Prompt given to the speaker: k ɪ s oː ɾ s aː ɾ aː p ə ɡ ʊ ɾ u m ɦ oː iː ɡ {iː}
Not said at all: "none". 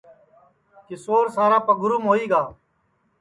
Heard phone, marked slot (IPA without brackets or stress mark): aː